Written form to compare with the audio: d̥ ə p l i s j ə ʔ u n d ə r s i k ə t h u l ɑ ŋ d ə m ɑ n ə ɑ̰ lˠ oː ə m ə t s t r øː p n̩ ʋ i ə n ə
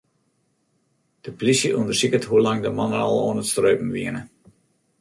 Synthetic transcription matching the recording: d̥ ə p l i s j ə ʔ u n d ə r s i k ə t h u l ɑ ŋ d ə m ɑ n ə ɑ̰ lˠ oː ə n ə t s t r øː p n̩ ʋ i ə n ə